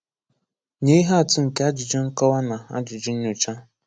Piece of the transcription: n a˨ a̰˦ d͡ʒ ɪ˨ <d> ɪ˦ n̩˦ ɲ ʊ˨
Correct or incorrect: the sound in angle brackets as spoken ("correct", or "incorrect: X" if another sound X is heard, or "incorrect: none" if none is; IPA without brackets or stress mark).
incorrect: d͡ʒ